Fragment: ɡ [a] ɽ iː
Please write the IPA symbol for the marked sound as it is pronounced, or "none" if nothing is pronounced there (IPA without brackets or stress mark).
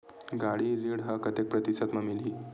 a